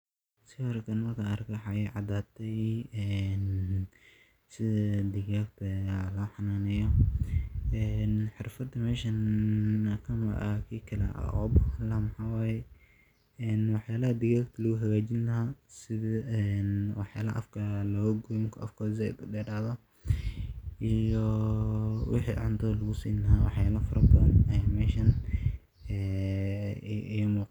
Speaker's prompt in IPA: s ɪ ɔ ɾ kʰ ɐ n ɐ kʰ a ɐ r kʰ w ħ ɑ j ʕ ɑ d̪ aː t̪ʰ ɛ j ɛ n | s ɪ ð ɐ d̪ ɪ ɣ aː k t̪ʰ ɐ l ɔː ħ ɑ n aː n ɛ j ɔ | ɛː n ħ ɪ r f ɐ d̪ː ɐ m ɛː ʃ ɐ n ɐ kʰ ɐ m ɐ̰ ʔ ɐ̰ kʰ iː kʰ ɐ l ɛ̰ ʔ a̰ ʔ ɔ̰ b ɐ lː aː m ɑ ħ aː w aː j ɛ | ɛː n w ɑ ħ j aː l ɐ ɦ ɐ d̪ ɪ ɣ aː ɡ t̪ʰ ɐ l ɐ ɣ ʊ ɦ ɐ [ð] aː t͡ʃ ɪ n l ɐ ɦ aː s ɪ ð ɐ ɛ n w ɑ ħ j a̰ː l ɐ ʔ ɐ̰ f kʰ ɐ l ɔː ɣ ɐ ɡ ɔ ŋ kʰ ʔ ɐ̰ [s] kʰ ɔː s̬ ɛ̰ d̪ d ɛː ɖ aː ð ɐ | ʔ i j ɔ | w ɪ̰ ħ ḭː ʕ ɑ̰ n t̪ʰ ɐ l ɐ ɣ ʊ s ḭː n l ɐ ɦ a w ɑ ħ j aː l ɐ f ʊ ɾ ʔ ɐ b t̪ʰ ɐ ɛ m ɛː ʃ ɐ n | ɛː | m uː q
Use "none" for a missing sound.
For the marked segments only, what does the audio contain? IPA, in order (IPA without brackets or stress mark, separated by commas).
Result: ɣ, f